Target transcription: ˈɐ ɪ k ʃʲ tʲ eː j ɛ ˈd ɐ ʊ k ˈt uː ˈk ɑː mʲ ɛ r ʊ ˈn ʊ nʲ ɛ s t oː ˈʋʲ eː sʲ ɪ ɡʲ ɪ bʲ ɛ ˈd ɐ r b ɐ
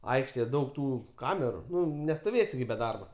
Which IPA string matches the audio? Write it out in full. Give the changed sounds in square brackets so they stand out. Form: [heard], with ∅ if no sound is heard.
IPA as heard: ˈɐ ɪ k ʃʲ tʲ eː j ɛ ˈd ɐ ʊ k ˈt uː ˈk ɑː mʲ ɛ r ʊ ˈn ʊ nʲ ɛ s t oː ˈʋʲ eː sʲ ɪ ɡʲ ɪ bʲ ɛ ˈd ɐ r b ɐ

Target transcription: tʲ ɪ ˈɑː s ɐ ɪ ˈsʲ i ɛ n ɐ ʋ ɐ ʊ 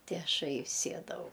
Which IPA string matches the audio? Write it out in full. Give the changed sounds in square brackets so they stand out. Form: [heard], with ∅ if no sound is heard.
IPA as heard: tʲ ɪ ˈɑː [ʃ] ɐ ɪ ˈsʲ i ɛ [d] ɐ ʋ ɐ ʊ

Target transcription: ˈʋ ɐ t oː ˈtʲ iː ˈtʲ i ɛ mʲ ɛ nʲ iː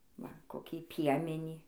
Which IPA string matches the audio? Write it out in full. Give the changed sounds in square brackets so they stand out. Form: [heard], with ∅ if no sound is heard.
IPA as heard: ˈʋ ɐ [k] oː [ˈkʲ] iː [ˈpʲ] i ɛ mʲ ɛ nʲ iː

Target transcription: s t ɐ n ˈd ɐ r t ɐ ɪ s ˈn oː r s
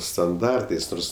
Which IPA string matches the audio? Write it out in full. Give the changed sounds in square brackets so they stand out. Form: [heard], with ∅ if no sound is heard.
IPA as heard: s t ɐ n ˈd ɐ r t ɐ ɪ s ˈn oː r s

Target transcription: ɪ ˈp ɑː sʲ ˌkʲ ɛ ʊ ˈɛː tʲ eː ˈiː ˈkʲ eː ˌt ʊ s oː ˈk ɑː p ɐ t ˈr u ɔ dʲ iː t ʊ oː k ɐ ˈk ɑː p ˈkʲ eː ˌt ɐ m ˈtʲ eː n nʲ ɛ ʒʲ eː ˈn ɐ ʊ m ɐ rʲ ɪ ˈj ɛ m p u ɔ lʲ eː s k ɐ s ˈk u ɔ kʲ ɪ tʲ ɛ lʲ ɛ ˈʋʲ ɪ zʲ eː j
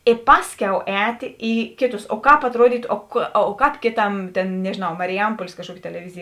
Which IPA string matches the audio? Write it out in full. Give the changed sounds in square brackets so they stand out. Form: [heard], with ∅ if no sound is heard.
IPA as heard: ɪ ˈp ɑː sʲ ˌkʲ ɛ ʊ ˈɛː tʲ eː ˈiː ˈkʲ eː ˌt ʊ s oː ˈk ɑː p ɐ t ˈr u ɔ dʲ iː t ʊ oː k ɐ ˈk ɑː p ˈkʲ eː ˌt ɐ m ˈtʲ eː n nʲ ɛ ʒʲ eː ˈn ɐ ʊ m ɐ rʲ ɪ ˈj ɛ m p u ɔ lʲ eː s k ɐ [ʃ] ˈk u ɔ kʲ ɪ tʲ ɛ lʲ ɛ ˈʋʲ ɪ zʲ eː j

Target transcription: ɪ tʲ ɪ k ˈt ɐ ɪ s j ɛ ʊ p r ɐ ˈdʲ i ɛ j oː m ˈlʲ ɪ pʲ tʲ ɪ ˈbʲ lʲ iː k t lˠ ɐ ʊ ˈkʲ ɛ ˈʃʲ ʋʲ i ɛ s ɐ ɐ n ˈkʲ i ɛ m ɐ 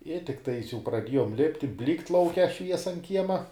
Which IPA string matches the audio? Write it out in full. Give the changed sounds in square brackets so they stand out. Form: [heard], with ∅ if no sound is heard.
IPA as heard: ɪ tʲ ɪ k ˈt ɐ ɪ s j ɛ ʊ p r ɐ ˈdʲ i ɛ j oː m ˈlʲ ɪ pʲ tʲ ɪ ˈbʲ lʲ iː k t lˠ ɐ ʊ ˈkʲ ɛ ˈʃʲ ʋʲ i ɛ s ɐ ɐ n ˈkʲ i ɛ m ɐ

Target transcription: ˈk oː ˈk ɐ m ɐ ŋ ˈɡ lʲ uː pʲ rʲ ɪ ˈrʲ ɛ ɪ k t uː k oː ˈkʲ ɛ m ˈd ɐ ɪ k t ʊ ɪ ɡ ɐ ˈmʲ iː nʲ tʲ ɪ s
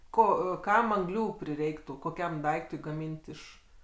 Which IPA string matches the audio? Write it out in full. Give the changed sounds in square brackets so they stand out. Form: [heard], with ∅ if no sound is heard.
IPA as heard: ˈk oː ˈk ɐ m ɐ ŋ ˈɡ lʲ uː pʲ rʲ ɪ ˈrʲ ɛ ɪ k t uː k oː ˈkʲ ɛ m ˈd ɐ ɪ k t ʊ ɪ ɡ ɐ ˈmʲ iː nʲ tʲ ɪ [ʃ]

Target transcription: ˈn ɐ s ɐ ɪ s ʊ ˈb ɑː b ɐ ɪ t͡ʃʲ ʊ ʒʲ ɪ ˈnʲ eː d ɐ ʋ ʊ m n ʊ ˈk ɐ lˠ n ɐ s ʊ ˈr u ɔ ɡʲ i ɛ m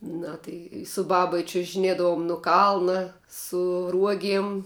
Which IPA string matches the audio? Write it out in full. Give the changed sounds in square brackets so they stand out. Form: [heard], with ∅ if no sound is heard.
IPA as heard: ˈn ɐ [t] ɐ ɪ s ʊ ˈb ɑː b ɐ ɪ t͡ʃʲ ʊ ʒʲ ɪ ˈnʲ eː d ɐ ʋ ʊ m n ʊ ˈk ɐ lˠ n ɐ s ʊ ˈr u ɔ ɡʲ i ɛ m

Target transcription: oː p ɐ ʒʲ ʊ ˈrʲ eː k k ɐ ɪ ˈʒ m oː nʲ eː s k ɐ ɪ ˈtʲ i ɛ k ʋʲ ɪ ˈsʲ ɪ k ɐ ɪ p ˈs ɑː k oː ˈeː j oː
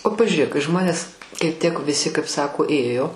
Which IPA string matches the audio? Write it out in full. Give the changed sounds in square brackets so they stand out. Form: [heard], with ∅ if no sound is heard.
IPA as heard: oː p ɐ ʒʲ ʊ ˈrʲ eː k k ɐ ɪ ˈʒ m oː nʲ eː s k ɐ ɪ ˈtʲ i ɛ k ʋʲ ɪ ˈsʲ ɪ k ɐ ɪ p ˈs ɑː k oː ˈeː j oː

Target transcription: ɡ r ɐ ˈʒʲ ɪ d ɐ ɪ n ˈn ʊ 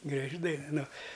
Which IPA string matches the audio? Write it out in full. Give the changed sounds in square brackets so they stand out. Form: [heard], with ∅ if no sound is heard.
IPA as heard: ɡ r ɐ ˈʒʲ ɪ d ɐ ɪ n ˈn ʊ

